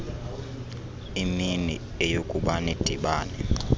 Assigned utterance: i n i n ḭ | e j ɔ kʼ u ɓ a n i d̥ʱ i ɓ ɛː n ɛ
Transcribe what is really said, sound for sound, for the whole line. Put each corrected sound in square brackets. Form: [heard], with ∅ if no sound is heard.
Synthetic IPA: i [m] i n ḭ | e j [o] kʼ u ɓ a n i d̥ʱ i ɓ [aː] n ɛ

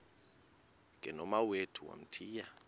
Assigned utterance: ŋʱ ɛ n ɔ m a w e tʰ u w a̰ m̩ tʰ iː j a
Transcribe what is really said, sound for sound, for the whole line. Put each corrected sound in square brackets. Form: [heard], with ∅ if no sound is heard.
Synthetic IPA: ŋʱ ɛ n ɔ m a w e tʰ u w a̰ m̩ tʰ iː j a

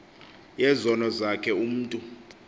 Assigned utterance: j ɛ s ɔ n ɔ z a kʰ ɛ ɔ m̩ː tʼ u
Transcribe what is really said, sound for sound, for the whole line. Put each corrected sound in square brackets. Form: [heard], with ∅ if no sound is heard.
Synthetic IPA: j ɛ [z] ɔ n ɔ z a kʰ ɛ [u] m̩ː tʼ u

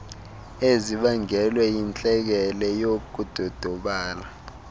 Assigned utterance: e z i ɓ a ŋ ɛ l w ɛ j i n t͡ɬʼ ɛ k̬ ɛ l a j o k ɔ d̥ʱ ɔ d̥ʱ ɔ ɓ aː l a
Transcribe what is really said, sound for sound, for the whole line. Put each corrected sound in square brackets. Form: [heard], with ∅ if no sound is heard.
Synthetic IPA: e z i ɓ a ŋ ɛ l w ɛ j i n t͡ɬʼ ɛ k̬ ɛ l [ɛ] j o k [u] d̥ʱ ɔ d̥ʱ ɔ ɓ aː l a

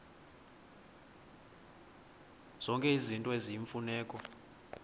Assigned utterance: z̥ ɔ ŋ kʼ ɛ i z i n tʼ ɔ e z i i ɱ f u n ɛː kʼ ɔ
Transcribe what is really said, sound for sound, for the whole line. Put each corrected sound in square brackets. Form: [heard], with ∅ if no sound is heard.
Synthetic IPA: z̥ ɔ ŋ kʼ ɛ i z i n tʼ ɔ e z i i ɱ f u n ɛː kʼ ɔ

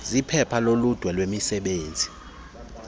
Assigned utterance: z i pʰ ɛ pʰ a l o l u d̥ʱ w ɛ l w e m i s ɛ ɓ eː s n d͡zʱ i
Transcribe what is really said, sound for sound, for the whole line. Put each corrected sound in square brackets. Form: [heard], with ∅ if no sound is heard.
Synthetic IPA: z i pʰ ɛ pʰ a l o l u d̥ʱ w ɛ l w e m i s ɛ ɓ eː [∅] n d͡zʱ i

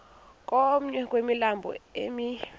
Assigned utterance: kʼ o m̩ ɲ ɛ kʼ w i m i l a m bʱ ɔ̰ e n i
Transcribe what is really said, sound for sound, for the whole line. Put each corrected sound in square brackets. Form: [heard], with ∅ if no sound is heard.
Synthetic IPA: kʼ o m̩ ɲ ɛ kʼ w [e] m i l a m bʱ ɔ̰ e [m] i

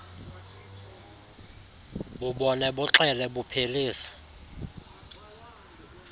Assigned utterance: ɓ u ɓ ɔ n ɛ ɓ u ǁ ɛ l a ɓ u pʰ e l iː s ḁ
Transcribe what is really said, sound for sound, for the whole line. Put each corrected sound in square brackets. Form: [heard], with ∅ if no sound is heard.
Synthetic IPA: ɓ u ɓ ɔ n ɛ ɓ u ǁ ɛ l [ɛ] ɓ u pʰ e l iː s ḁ

